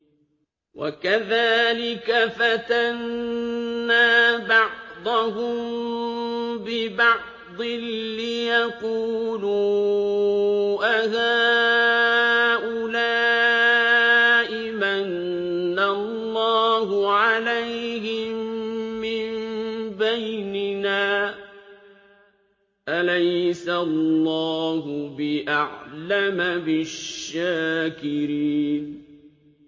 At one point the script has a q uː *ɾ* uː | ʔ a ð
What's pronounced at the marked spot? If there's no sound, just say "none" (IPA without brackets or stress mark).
l